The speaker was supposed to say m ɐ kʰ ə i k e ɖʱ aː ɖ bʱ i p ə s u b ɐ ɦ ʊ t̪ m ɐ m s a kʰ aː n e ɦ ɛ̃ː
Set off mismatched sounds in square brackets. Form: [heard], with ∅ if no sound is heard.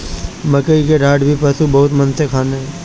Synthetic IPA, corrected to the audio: m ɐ [k] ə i k e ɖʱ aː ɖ bʱ i p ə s u b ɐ ɦ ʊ t̪ m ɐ [n] s [e] kʰ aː n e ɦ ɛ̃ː

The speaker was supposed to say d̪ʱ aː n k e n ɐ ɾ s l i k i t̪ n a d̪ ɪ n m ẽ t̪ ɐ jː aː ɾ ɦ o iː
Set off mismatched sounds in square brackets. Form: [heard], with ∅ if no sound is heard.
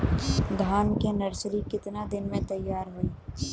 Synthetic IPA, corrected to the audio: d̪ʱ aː n k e n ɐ ɾ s [ɾ] i k [ɪ] t̪ n a d̪ ɪ n m ẽ t̪ ɐ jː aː ɾ ɦ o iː

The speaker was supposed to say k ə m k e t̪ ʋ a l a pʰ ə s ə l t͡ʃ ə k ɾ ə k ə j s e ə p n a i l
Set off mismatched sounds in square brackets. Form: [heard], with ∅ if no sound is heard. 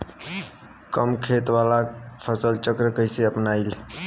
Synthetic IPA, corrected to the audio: k ə m [kʰ] e t̪ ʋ a l a pʰ ə s ə l t͡ʃ ə k ɾ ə k ə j s e ə p n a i l

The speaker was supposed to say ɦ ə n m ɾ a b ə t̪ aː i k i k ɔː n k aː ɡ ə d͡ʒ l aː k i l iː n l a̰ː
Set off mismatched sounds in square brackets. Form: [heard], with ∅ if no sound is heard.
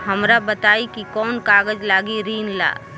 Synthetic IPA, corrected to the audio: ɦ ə [∅] m ɾ a b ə t̪ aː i k i k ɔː n k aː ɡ ə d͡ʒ l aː [ɡ] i [ɾ] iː n l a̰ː

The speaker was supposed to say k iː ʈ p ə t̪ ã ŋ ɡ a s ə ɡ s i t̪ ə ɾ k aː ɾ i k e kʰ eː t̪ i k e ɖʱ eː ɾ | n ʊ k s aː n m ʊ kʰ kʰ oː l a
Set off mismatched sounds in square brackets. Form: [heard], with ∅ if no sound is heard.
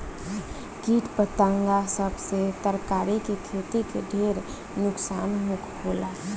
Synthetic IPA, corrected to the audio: k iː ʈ p ə t̪ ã ŋ ɡ a s ə [b] s [e] t̪ ə ɾ k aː ɾ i k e kʰ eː t̪ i k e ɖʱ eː ɾ | n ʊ k s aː n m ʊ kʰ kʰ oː l a

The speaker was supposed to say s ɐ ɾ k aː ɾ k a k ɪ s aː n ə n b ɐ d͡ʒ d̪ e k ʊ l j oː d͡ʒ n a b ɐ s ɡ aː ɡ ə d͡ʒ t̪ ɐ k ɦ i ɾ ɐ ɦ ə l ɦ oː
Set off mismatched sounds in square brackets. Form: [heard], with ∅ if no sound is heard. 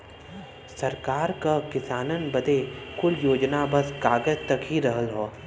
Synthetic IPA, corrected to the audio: s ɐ ɾ k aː ɾ k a k ɪ s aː n ə n b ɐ [∅] d̪ e k ʊ l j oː d͡ʒ n a b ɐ s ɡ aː ɡ ə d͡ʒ t̪ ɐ k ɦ i ɾ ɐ ɦ ə l ɦ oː

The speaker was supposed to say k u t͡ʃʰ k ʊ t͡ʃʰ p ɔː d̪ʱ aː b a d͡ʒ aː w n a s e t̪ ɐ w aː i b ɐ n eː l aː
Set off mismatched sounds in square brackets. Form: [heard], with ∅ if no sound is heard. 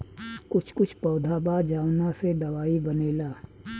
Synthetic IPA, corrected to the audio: k [ʊ] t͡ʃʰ k ʊ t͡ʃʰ p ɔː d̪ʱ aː b a d͡ʒ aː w n a s e [d̪] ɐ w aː i b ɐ n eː l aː

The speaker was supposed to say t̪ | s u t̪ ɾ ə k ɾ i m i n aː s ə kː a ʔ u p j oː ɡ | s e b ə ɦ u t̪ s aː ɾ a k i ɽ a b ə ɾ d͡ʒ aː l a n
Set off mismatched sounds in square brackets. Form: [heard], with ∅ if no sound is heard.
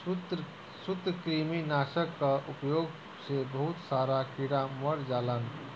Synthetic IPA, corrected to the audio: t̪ | s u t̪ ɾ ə k ɾ i m i n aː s ə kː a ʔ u p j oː ɡ | s e b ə ɦ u t̪ s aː ɾ a k i ɽ a [m] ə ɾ d͡ʒ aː l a n

